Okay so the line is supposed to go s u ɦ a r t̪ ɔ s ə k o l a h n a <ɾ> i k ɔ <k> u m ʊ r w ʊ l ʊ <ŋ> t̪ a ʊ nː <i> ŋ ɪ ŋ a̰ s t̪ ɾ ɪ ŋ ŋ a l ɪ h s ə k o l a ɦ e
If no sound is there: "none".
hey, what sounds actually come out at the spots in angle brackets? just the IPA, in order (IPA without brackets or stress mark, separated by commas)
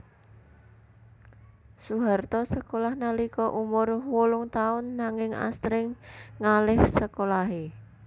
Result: l, ʔ, ŋ, a